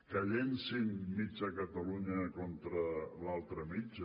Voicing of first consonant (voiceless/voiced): voiceless